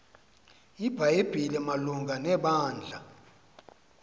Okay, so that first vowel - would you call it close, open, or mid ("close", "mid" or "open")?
close